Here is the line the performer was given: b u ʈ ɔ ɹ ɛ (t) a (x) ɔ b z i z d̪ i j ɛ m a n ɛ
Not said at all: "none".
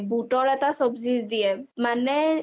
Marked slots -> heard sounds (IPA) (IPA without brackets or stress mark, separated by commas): t, s